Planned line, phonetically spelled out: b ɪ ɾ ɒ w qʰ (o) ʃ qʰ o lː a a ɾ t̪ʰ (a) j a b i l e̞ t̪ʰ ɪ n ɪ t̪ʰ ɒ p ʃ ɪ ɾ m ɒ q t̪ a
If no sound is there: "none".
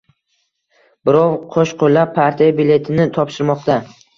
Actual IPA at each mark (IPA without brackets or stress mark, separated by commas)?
o, i